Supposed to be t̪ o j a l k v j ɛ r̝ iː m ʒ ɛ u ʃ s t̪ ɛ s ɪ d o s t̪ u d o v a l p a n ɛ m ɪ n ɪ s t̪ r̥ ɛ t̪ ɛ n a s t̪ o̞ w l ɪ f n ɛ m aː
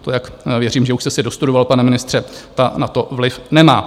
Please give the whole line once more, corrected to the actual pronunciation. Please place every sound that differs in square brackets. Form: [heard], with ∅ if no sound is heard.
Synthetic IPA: t̪ o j a [∅] k v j ɛ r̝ iː m ʒ ɛ u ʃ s t̪ ɛ s ɪ d o s t̪ u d o v a l p a n ɛ m ɪ n ɪ s t̪ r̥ ɛ t̪ [a] n a [∅] t̪ o̞ [v] l ɪ f n ɛ m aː